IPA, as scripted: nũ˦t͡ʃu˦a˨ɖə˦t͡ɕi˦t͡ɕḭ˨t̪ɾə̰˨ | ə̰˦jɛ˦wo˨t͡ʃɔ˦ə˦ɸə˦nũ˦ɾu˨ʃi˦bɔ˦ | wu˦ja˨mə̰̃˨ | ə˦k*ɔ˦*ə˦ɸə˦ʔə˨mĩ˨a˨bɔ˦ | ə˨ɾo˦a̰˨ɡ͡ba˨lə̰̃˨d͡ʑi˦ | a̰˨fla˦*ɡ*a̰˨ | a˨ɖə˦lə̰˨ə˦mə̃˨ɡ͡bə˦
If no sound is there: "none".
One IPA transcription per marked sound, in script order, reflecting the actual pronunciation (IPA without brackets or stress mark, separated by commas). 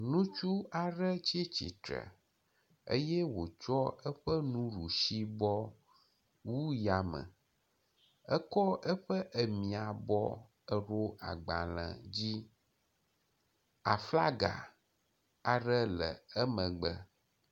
ɔ˦, ɡ